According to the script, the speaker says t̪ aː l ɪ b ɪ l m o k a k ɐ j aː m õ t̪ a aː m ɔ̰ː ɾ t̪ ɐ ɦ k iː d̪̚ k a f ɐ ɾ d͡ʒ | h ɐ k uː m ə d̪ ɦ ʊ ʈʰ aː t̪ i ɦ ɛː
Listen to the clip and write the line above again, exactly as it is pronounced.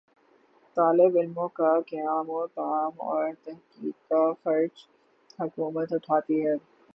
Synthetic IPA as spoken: t̪ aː l ɪ b ɪ l m õ k a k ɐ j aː m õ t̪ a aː m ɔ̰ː ɾ t̪ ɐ ɦ k iː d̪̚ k a f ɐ ɾ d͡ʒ | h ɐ k uː m ə t̪ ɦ ʊ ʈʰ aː t̪ i ɦ ɛː